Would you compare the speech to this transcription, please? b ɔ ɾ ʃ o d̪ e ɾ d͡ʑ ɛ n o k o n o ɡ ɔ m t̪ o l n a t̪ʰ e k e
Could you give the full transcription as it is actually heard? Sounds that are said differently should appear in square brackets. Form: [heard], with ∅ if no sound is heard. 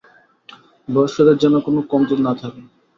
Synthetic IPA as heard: b ɔ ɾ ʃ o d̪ e ɾ d͡ʑ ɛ n o k o n o [k] ɔ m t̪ o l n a t̪ʰ [a] k e